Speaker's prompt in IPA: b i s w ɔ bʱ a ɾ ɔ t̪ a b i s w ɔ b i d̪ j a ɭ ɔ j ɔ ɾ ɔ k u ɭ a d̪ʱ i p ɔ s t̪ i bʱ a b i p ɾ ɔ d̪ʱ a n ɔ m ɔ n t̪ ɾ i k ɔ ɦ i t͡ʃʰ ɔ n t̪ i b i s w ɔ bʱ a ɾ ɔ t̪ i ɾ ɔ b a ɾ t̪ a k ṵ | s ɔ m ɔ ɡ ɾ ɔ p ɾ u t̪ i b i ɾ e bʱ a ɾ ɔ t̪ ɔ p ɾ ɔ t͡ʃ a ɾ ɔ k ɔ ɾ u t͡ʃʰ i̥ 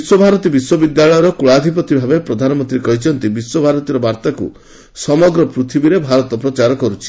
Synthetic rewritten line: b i s w ɔ bʱ a ɾ ɔ t̪ i b i s w ɔ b i d̪ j a ɭ ɔ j ɔ ɾ ɔ k u ɭ a d̪ʱ i p ɔ t̪ i bʱ a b e p ɾ ɔ d̪ʱ a n ɔ m ɔ n t̪ ɾ i k ɔ ɦ i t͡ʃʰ ɔ n t̪ i b i s w ɔ bʱ a ɾ ɔ t̪ i ɾ ɔ b a ɾ t̪ a k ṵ | s ɔ m ɔ ɡ ɾ ɔ p ɾ u t̪ʰ i b i ɾ e bʱ a ɾ ɔ t̪ ɔ p ɾ ɔ t͡ʃ a ɾ ɔ k ɔ ɾ u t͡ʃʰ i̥

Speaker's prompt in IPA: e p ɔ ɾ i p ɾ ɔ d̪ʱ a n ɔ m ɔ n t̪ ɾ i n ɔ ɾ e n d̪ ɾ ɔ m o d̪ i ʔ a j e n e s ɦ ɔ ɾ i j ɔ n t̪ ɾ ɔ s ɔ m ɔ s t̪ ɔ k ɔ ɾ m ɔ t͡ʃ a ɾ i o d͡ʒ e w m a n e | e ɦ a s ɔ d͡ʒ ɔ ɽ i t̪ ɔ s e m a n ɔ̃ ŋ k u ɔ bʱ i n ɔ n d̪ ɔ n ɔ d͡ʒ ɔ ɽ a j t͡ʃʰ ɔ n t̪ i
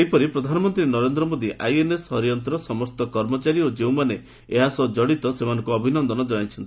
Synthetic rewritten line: e p ɔ ɾ i p ɾ ɔ d̪ʱ a n ɔ m ɔ n t̪ ɾ i n ɔ ɾ e n d̪ ɾ ɔ m o d̪ i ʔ a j e n e s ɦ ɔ ɾ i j ɔ n t̪ ɾ ɔ s ɔ m ɔ s t̪ ɔ k ɔ ɾ m ɔ t͡ʃ a ɾ i o d͡ʒ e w m a n e | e ɦ a s ɔ d͡ʒ ɔ ɽ i t̪ ɔ s e m a n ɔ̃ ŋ k u ɔ bʱ i n ɔ n d̪ ɔ n ɔ d͡ʒ ɔ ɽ a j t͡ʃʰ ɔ n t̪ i

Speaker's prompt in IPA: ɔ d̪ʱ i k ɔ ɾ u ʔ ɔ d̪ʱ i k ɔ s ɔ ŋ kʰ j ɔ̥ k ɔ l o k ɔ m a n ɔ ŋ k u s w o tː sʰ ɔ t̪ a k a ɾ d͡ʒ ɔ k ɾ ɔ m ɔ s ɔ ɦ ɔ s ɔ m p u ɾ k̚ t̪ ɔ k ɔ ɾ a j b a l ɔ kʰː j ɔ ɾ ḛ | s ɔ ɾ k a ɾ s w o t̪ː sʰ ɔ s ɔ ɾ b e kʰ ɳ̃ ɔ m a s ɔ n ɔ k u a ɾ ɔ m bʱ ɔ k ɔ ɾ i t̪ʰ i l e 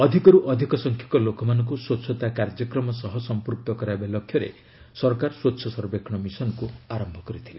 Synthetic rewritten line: ɔ d̪ʱ i k ɔ ɾ u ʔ ɔ d̪ʱ i k ɔ s ɔ ŋ kʰ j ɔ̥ k ɔ l o k ɔ m a n ɔ ŋ k u s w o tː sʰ ɔ t̪ a k a ɾ d͡ʒ ɔ k ɾ ɔ m ɔ s ɔ ɦ ɔ s ɔ m p u ɾ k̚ t̪ ɔ k ɔ ɾ a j b a l ɔ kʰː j ɔ ɾ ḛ | s ɔ ɾ k a ɾ s w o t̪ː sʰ ɔ s ɔ ɾ b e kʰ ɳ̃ ɔ m i s ɔ n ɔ k u a ɾ ɔ m bʱ ɔ k ɔ ɾ i t̪ʰ i l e

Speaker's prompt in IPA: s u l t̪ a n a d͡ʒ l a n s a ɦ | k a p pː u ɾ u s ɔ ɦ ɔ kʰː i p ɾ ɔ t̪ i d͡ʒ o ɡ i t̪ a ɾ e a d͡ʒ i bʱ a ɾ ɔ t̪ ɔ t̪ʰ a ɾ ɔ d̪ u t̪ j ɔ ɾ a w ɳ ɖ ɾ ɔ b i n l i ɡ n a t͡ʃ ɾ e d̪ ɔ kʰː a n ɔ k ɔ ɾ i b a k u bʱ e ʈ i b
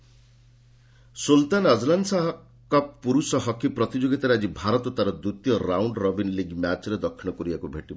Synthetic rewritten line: s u l t̪ a n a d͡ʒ l a n s a ɦ | k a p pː u ɾ u s ɔ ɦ ɔ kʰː i p ɾ ɔ t̪ i d͡ʒ o ɡ i t̪ a ɾ e a d͡ʒ i bʱ a ɾ ɔ t̪ ɔ t̪ a ɾ ɔ d̪ u t̪ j ɔ ɾ a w ɳ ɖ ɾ ɔ b i n l i ɡ m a t͡ʃ ɾ e d̪ ɔ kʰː i n ɔ k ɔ ɾ i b a k u bʱ e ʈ i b

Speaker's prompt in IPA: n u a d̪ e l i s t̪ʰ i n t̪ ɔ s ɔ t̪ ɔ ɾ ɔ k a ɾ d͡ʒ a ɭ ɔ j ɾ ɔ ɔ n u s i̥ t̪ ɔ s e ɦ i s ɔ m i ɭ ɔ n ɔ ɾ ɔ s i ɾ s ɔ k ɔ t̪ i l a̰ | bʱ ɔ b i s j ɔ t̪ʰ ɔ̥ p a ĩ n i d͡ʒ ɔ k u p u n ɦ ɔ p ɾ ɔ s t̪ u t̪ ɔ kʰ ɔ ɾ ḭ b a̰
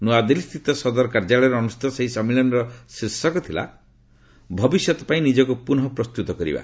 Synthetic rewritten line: n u a d̪ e l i s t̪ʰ i t̪ ɔ s ɔ d̪ ɔ ɾ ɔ k a ɾ d͡ʒ a ɭ ɔ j ɾ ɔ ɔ n u s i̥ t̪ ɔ s e ɦ i s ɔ m i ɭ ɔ n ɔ ɾ ɔ s i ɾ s ɔ k ɔ t̪ʰ i l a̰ | bʱ ɔ b i s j ɔ t̪ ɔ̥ p a ĩ n i d͡ʒ ɔ k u p u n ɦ ɔ p ɾ ɔ s t̪ u t̪ ɔ k ɔ ɾ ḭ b a̰

